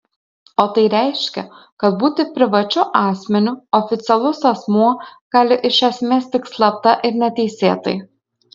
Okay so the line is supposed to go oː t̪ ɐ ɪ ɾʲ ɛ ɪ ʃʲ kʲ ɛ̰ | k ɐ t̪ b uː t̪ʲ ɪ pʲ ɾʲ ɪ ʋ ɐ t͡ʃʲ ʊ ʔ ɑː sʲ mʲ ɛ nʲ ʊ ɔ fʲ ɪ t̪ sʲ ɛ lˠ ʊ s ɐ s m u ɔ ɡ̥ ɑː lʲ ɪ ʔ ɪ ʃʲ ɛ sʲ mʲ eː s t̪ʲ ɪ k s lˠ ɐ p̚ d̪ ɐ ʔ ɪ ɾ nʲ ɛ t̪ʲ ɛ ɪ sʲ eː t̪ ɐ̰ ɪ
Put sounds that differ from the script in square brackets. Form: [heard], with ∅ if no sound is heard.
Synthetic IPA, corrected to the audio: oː t̪ ɐ ɪ ɾʲ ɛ ɪ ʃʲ kʲ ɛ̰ | k ɐ t̪ b uː t̪ʲ ɪ pʲ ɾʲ ɪ ʋ ɐ t͡ʃʲ ʊ ʔ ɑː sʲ mʲ ɛ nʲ ʊ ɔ fʲ ɪ t̪ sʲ ɛ lˠ ʊ s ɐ s m u ɔ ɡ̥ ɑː lʲ ɪ ʔ ɪ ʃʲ ɛ sʲ mʲ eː s t̪ʲ ɪ k s lˠ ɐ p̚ [t̪] ɐ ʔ ɪ ɾ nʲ ɛ t̪ʲ ɛ ɪ sʲ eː t̪ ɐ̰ ɪ